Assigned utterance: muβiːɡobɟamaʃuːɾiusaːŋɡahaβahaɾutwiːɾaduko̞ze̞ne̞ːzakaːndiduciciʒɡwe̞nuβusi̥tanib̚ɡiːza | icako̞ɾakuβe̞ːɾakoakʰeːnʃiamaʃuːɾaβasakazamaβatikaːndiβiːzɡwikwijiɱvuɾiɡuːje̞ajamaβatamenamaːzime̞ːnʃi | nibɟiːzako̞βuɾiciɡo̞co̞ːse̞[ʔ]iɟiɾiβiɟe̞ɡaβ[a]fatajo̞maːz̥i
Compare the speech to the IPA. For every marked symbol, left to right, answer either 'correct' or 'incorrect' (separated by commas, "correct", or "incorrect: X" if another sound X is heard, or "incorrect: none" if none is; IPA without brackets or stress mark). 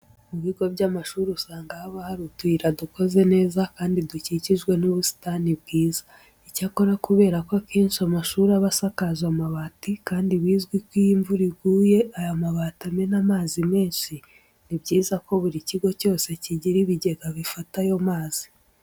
incorrect: c, incorrect: i